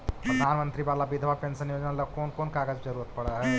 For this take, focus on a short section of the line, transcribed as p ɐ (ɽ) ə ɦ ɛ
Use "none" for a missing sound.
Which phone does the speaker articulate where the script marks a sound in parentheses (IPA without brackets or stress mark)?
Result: ɽ